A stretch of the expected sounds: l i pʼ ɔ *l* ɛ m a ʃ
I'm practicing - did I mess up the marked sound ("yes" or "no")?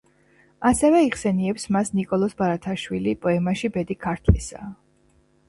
yes